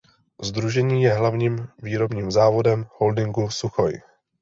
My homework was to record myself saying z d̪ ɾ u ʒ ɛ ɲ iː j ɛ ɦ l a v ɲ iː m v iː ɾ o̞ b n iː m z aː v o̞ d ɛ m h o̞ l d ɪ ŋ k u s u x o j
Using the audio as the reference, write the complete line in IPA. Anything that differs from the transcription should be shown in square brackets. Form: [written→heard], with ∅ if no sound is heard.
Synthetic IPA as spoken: z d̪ ɾ u ʒ ɛ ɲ iː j ɛ ɦ l a v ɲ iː m v iː ɾ o̞ b [n→ɲ] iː m z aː v o̞ d ɛ m h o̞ l d ɪ ŋ [k→ɡ] u s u x o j